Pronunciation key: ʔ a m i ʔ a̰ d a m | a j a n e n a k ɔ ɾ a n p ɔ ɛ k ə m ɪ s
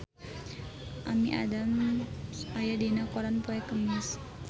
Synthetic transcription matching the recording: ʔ a m i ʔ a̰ d a m | a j a d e n a k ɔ ɾ a n p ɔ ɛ k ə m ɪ s